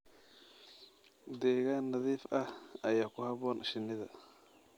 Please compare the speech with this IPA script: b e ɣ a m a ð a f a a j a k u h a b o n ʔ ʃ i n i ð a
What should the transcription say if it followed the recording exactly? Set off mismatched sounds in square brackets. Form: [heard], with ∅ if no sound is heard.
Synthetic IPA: [d] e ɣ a [n] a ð [i] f a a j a k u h a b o n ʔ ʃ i n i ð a